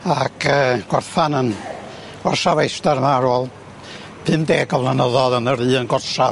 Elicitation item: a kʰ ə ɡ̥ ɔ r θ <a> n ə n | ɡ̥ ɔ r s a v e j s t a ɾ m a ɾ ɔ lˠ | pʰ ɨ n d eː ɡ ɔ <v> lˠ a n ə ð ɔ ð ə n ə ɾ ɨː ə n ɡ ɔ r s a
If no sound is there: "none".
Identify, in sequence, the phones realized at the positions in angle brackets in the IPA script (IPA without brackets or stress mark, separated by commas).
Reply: a, v